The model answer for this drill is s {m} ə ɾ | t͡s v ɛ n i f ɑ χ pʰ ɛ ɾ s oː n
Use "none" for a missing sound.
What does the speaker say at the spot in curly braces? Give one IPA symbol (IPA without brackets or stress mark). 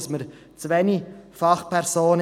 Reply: m